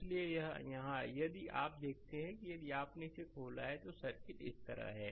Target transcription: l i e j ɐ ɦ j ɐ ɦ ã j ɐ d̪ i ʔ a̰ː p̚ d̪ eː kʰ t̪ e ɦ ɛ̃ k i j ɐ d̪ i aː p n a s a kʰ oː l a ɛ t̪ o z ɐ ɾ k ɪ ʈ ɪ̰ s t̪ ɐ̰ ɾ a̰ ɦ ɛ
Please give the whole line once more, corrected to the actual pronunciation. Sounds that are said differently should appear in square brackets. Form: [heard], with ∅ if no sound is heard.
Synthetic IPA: l i e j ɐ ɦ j ɐ ɦ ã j ɐ d̪ i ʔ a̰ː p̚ d̪ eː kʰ t̪ e ɦ ɛ̃ k i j ɐ d̪ i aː p n [e] s [e] kʰ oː l a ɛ t̪ o [s] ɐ ɾ k ɪ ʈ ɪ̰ s t̪ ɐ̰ ɾ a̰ ɦ [ɛː]